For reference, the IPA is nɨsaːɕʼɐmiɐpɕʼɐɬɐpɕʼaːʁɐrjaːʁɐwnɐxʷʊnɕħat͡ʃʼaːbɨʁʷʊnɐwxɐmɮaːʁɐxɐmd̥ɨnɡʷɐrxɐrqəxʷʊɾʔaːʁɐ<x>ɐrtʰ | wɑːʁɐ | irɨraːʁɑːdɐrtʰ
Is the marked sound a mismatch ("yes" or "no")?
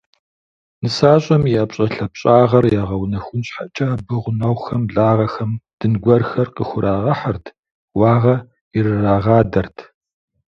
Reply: yes